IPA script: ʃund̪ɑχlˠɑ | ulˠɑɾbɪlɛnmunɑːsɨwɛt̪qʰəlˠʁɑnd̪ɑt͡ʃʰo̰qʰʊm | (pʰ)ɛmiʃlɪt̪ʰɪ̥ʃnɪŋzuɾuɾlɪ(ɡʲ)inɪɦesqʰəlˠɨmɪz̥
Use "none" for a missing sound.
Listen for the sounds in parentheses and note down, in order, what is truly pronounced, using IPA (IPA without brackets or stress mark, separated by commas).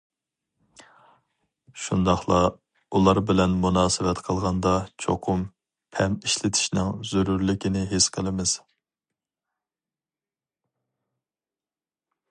pʰ, kʲ